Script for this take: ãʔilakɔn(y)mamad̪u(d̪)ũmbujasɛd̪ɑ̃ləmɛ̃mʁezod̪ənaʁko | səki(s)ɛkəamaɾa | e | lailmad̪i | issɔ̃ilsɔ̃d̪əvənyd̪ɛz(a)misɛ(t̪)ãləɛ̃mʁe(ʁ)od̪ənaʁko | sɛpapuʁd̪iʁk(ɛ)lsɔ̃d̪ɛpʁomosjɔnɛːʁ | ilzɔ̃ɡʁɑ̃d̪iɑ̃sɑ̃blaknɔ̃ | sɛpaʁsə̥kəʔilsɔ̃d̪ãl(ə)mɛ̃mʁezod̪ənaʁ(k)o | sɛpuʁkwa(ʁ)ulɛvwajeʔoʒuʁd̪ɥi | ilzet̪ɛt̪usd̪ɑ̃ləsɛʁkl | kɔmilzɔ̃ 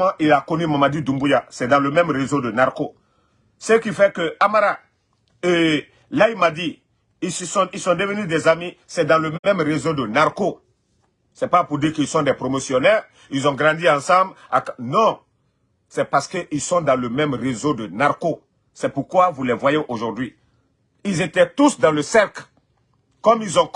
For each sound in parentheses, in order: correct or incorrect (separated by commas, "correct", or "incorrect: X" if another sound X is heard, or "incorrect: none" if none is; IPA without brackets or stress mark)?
correct, correct, incorrect: f, correct, incorrect: d̪, incorrect: z, incorrect: i, correct, correct, incorrect: v